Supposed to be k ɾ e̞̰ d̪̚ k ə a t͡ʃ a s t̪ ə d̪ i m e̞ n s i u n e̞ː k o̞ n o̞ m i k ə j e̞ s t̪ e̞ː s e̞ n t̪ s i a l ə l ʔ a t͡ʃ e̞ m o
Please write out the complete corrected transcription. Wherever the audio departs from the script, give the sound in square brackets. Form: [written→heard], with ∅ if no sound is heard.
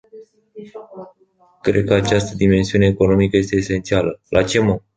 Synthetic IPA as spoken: k ɾ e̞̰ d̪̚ k ə a t͡ʃ a s t̪ ə d̪ i m e̞ n s i u n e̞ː k o̞ n o̞ m i k ə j e̞ s t̪ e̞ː s e̞ n t̪ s i a l ə l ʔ a t͡ʃ e̞ m o